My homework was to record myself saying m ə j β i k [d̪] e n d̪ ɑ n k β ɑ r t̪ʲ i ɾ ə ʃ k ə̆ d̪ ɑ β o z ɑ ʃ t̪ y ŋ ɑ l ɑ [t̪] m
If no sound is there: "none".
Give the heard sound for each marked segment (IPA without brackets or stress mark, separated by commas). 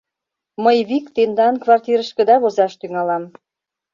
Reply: t̪, none